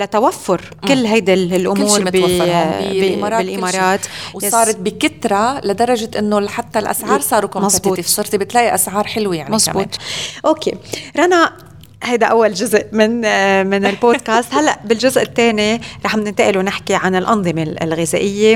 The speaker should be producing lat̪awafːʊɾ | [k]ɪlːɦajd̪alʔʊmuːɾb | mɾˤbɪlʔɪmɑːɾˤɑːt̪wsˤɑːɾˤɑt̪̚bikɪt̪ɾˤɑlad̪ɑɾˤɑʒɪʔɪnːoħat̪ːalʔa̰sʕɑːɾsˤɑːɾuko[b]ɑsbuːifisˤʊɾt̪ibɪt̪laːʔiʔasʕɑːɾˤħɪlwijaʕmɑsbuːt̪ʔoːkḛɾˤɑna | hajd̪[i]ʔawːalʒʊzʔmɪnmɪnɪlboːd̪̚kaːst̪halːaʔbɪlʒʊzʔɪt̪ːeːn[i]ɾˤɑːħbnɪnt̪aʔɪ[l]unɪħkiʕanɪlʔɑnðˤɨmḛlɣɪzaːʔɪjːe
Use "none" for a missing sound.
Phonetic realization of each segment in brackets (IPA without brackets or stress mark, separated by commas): k, m, a, i, l